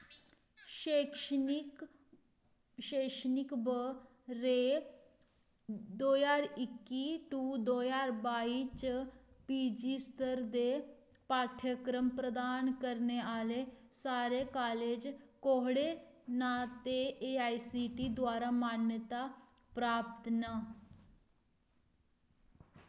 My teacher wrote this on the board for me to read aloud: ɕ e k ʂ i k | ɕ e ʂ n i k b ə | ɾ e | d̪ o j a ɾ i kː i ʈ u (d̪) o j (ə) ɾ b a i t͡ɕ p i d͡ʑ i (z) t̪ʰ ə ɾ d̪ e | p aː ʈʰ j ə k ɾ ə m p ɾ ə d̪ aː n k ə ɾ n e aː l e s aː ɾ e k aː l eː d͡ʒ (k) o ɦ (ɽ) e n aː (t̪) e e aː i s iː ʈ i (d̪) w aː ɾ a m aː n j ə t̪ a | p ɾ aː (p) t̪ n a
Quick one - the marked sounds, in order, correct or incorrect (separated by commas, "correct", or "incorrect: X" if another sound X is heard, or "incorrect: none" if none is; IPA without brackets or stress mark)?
correct, incorrect: a, incorrect: s, correct, correct, correct, correct, correct